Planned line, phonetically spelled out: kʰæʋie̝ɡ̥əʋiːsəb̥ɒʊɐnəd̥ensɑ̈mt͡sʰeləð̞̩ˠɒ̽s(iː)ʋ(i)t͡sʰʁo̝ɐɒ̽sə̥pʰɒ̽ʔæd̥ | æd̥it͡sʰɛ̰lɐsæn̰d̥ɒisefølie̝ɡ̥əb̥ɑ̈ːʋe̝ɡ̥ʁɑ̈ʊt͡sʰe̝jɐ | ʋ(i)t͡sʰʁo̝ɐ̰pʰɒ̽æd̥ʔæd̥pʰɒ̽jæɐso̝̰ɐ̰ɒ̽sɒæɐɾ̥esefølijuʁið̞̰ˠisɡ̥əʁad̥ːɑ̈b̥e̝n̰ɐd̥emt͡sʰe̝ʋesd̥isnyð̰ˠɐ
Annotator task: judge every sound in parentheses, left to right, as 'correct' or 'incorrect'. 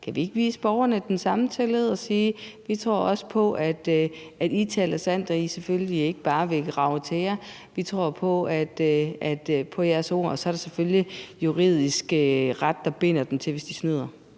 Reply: correct, correct, correct

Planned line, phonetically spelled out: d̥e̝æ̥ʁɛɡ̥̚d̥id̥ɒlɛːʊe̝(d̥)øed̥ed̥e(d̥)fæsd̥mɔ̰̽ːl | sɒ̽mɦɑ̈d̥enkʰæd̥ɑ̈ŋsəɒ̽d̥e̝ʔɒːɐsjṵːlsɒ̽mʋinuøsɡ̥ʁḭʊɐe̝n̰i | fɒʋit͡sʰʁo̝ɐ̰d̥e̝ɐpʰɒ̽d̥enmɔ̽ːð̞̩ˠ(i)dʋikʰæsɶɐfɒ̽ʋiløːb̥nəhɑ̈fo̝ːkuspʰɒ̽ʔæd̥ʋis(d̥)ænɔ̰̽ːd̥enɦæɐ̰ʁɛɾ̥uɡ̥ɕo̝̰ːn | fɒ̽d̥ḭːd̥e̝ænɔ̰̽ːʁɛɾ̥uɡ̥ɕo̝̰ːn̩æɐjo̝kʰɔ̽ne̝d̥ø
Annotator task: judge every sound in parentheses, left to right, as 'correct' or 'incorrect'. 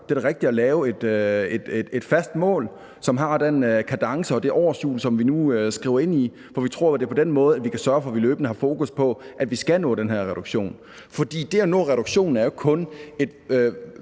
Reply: correct, correct, incorrect: æ, incorrect: ɡ̥

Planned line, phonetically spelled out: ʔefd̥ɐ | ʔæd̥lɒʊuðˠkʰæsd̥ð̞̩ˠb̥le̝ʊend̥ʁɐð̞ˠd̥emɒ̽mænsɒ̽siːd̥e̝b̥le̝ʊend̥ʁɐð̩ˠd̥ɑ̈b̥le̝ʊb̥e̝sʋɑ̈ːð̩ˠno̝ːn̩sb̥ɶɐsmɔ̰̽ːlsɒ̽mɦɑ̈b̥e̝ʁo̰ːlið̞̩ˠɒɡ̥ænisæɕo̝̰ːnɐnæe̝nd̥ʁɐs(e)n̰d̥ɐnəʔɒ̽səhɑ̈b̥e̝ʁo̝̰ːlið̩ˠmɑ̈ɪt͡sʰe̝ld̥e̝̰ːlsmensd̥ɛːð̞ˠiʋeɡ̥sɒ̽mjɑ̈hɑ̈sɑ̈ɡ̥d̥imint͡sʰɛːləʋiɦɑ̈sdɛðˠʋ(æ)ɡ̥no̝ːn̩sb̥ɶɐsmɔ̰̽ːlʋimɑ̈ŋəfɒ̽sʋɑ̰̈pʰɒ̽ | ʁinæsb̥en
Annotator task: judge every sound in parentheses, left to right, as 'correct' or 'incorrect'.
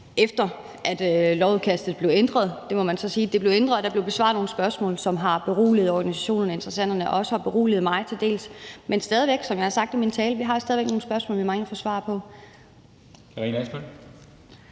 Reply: incorrect: æ, incorrect: e

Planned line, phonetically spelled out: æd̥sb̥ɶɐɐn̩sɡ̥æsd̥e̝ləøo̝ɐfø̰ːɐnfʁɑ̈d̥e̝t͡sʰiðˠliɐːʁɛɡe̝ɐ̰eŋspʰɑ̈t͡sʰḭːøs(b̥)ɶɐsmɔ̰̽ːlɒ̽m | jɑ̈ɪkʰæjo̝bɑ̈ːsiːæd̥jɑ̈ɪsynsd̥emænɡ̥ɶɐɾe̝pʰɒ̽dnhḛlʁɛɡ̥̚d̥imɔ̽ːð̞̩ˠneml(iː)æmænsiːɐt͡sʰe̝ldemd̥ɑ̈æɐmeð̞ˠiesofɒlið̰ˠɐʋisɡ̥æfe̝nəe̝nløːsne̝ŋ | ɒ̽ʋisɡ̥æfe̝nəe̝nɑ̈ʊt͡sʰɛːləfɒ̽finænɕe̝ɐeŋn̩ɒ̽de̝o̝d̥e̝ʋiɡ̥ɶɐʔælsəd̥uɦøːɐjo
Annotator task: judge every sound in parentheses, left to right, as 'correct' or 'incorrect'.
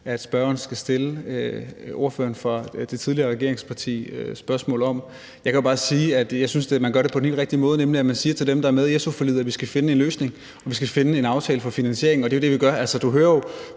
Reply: correct, incorrect: i

